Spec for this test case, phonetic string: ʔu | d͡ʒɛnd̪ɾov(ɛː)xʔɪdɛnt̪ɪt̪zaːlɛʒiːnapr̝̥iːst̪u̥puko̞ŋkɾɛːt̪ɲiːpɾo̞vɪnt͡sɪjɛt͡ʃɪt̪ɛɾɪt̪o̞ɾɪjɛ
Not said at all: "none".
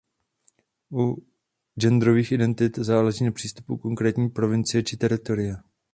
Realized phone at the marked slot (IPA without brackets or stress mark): iː